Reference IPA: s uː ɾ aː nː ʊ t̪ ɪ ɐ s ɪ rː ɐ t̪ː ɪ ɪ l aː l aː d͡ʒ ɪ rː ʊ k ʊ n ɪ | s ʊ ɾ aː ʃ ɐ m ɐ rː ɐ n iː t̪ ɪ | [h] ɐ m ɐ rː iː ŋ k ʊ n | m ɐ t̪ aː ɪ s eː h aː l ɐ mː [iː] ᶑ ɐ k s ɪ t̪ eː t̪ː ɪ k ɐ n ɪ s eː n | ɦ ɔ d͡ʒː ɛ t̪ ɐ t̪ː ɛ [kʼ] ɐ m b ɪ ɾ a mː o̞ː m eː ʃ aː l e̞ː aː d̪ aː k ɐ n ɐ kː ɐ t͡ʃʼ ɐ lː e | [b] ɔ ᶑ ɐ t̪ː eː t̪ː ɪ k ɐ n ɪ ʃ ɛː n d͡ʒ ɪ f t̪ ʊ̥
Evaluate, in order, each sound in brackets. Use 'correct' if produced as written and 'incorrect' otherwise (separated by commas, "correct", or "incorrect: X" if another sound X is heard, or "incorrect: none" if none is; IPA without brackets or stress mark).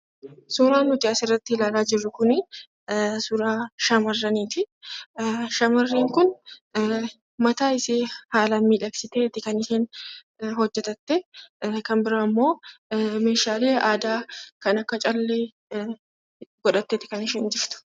incorrect: ʃ, correct, incorrect: k, incorrect: ɡ